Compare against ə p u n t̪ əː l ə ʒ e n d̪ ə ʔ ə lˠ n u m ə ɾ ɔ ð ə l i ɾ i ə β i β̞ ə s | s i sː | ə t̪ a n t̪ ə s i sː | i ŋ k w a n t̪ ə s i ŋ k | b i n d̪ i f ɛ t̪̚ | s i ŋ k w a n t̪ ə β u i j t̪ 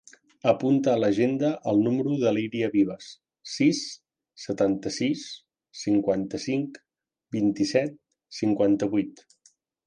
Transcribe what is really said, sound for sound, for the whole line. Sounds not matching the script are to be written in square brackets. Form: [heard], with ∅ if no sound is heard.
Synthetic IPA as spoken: ə p u n t̪ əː l ə ʒ e n d̪ ə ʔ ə lˠ n u m ə ɾ [u] ð ə l i ɾ i ə β i β̞ ə s | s i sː | ə t̪ a n t̪ ə s i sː | i ŋ k w a n t̪ ə s i ŋ k | b i n [t̪] i [s] ɛ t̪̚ | s i ŋ k w a n t̪ ə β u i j t̪